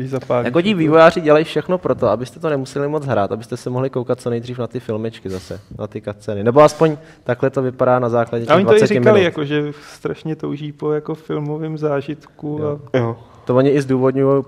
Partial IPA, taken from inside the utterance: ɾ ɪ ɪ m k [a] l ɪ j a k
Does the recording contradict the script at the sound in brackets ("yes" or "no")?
no